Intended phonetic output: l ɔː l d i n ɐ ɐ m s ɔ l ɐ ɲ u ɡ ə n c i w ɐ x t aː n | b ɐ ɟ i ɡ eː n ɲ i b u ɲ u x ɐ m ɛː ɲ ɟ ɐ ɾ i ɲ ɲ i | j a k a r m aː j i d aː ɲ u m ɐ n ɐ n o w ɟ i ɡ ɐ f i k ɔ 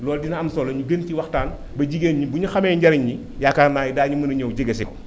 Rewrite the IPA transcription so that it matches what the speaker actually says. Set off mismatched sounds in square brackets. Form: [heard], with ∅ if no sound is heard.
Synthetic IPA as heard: l ɔː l d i n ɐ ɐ m s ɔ l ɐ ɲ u ɡ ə n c i w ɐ x t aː n | b ɐ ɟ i ɡ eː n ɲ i b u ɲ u x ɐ m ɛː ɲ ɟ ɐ ɾ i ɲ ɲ i | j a k a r [n] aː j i d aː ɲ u m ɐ n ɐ [ɲ] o w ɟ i ɡ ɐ [s] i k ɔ

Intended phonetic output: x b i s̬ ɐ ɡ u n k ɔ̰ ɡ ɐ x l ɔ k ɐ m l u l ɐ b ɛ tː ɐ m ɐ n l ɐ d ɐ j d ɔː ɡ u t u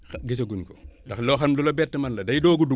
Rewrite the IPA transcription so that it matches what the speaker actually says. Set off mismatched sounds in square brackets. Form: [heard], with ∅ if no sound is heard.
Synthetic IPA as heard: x [ɡ] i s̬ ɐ ɡ u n k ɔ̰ [d] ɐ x l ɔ [x] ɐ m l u l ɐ b ɛ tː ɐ m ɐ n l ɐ d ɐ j d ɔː ɡ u [d] u

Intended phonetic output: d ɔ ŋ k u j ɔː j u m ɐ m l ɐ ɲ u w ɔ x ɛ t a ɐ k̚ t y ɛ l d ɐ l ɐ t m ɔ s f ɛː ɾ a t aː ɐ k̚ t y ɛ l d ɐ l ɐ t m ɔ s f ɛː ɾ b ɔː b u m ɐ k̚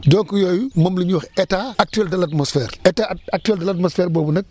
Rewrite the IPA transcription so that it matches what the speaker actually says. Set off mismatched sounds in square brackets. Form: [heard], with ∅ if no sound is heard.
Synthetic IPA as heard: d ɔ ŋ k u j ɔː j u m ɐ m l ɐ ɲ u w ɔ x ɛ t a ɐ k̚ t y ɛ l d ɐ l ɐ t m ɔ s f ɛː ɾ [ɛ] t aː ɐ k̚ t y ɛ l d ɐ l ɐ t m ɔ s f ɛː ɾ b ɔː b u [n] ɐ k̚

